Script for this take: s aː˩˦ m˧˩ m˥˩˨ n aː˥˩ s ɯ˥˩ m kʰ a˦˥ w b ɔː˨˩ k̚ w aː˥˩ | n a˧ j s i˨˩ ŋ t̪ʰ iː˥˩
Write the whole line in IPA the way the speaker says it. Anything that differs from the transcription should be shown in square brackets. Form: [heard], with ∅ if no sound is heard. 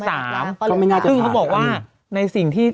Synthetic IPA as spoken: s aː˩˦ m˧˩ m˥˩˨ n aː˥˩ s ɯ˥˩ [ŋ] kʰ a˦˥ w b ɔː˨˩ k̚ w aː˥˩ | n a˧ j s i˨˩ ŋ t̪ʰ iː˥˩